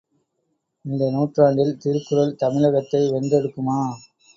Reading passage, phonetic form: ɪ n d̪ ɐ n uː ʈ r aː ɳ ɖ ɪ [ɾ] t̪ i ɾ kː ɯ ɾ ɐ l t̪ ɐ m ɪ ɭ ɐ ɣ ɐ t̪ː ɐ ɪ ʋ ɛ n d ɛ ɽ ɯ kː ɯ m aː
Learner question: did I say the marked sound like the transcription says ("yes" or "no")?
no